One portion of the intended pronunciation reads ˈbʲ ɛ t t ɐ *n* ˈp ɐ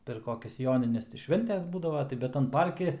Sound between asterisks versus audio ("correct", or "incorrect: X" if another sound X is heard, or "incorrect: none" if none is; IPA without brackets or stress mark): correct